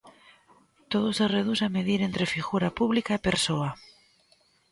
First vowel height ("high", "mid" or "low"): mid